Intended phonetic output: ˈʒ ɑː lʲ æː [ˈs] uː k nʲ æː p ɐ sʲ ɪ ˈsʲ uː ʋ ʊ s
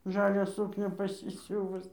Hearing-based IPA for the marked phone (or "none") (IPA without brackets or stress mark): s